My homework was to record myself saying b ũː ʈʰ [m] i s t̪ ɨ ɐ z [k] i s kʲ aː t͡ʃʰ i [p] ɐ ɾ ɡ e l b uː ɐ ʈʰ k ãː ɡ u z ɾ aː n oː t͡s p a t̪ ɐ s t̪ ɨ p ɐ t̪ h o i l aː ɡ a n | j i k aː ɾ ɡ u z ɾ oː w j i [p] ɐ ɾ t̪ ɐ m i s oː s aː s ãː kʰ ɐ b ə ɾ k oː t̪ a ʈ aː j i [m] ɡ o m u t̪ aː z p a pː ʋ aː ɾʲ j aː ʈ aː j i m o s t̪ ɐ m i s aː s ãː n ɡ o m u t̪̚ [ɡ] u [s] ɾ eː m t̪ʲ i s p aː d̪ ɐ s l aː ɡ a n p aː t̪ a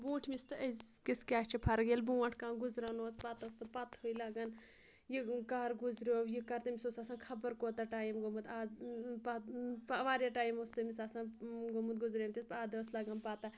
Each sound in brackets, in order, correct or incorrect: correct, correct, incorrect: pʰ, incorrect: k, correct, correct, incorrect: z

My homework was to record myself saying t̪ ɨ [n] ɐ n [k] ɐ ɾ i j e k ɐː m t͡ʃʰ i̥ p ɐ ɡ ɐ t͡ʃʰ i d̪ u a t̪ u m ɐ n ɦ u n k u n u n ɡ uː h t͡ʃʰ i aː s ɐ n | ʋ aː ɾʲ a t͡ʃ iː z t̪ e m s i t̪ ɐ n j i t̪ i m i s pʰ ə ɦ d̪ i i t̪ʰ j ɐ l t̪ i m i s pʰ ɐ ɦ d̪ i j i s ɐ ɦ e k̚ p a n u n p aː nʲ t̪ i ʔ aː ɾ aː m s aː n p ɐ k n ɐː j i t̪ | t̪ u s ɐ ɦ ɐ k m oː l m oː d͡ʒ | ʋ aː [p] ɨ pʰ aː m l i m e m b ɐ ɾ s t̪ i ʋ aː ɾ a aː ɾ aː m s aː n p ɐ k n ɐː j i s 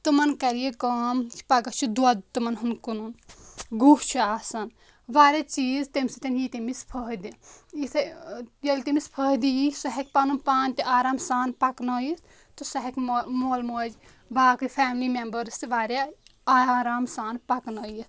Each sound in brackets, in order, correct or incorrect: incorrect: m, correct, incorrect: k

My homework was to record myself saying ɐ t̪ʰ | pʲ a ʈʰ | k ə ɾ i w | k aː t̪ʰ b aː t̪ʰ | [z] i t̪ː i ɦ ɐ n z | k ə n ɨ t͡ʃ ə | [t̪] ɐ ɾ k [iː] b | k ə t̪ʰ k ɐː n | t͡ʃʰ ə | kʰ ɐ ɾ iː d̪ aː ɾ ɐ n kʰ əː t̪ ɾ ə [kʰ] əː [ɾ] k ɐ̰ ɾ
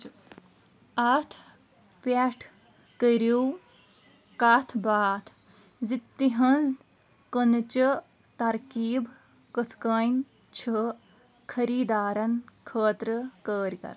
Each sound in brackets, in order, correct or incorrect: correct, correct, correct, incorrect: k, correct

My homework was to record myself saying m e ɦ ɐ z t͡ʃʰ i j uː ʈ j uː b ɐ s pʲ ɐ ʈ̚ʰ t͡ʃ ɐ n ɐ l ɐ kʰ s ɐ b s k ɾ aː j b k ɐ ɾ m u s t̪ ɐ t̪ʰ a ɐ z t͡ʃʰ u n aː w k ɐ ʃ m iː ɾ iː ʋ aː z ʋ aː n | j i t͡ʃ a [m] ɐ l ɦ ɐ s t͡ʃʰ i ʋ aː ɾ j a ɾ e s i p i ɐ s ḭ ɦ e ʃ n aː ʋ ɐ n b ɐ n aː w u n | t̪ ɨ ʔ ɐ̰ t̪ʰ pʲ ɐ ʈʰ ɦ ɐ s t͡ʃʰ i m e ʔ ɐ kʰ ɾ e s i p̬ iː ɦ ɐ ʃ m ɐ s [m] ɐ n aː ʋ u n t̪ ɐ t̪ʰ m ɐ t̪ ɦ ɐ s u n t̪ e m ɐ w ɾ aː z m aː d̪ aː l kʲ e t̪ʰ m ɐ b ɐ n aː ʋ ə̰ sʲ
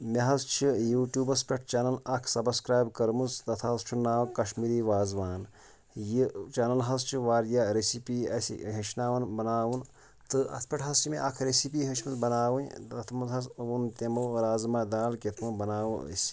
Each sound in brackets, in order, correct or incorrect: incorrect: n, incorrect: b

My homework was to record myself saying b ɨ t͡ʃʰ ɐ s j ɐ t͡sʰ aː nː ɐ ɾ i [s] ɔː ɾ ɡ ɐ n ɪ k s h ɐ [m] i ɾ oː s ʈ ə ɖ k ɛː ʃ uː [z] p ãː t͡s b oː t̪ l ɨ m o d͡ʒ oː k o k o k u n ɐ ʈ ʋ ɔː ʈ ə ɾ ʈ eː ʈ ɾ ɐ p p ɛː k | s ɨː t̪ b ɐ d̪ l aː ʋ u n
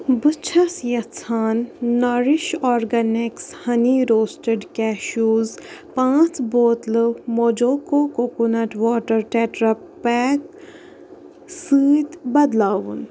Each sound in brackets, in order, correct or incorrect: incorrect: ʃ, incorrect: n, correct

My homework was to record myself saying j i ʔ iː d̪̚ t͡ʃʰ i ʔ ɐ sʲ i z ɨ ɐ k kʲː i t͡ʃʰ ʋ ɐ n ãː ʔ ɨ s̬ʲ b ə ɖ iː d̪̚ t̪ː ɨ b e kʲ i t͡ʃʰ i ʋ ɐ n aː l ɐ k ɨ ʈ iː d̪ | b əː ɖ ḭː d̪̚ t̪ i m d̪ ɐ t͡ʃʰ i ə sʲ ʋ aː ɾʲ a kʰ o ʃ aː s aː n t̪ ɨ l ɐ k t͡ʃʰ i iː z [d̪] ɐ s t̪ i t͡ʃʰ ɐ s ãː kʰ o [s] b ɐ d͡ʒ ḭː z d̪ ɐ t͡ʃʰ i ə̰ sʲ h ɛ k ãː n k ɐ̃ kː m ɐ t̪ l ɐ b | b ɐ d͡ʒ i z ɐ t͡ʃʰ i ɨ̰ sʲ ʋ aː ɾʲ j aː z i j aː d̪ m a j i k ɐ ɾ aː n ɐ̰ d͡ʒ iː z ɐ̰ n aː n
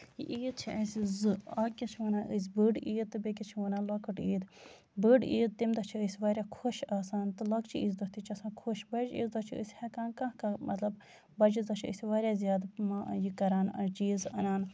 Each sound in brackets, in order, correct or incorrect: correct, incorrect: ʃ

